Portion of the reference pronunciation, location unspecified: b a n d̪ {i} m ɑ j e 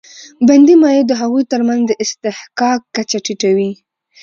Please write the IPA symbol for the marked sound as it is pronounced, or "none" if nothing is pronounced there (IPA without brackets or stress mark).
i